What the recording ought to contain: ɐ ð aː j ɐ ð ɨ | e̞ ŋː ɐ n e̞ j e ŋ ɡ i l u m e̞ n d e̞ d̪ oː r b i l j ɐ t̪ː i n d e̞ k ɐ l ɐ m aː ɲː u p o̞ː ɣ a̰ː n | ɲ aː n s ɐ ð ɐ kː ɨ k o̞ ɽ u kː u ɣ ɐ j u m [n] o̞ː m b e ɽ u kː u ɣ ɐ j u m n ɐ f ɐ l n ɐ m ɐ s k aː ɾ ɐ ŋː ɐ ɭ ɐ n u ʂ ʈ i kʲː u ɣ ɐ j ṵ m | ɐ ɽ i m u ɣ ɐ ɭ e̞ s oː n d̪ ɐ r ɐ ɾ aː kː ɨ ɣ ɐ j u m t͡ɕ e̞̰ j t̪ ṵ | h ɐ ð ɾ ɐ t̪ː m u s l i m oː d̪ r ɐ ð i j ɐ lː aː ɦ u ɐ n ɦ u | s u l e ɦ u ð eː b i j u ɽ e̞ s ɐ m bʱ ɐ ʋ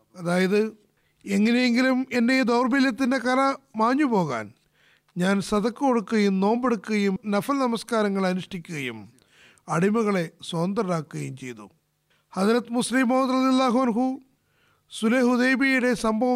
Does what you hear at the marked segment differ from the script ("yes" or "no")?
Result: no